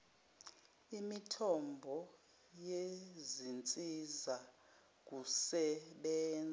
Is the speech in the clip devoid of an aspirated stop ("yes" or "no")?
no